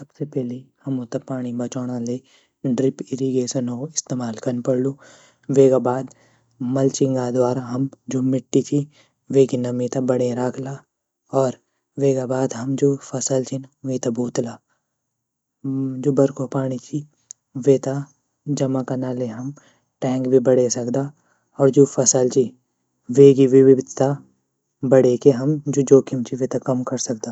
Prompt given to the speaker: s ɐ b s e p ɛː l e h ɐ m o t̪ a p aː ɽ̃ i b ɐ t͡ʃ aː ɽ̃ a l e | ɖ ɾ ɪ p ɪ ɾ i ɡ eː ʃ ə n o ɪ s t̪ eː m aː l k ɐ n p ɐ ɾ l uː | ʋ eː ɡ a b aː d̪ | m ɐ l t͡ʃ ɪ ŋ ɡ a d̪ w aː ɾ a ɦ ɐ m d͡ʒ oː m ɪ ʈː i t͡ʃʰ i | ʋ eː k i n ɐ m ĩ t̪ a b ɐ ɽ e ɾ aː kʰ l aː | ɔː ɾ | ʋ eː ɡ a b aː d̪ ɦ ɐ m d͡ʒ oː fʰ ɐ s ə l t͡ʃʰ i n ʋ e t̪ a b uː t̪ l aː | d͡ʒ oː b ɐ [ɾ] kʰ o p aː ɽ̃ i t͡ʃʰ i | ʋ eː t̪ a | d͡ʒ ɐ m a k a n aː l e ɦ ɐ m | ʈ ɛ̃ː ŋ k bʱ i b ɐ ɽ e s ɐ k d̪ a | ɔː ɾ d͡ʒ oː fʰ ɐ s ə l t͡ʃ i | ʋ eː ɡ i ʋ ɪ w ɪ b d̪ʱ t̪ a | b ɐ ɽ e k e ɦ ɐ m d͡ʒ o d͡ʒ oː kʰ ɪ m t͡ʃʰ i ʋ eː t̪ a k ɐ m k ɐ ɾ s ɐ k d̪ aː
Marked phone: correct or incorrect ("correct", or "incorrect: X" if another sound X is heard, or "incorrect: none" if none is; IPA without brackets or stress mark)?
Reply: correct